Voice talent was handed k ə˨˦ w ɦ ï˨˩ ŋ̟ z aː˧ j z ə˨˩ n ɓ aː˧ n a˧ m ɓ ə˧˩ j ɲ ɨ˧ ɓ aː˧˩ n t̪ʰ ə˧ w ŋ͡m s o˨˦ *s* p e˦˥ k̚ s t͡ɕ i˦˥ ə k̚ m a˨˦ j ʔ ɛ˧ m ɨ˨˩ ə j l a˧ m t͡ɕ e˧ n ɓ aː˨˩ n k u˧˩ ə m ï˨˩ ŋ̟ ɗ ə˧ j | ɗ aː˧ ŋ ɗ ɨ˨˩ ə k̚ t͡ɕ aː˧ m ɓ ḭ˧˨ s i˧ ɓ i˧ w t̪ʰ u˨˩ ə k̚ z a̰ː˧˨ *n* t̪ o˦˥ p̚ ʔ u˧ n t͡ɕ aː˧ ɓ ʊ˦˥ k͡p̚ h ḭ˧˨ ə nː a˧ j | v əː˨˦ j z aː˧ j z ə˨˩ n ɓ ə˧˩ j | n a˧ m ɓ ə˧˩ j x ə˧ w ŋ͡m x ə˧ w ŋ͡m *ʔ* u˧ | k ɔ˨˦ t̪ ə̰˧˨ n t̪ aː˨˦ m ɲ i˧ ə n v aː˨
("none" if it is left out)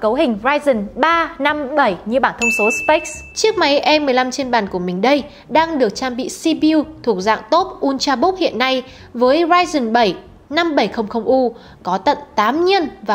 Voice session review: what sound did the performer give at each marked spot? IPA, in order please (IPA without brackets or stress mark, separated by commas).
s, ŋ, ʔ